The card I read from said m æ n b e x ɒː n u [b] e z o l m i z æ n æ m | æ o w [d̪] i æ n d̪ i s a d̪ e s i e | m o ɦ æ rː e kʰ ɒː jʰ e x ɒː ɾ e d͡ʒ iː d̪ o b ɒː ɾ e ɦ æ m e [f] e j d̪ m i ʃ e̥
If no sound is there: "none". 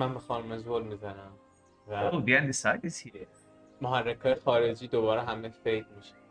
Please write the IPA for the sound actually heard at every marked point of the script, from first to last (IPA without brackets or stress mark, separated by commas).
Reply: m, d̪, f